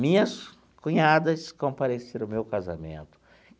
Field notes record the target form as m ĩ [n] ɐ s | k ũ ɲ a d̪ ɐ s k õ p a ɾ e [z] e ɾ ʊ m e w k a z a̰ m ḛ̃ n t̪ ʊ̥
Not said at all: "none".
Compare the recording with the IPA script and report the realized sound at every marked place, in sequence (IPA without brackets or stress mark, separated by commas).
ɲ, s